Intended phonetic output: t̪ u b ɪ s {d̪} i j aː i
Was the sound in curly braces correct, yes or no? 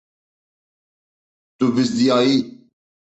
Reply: yes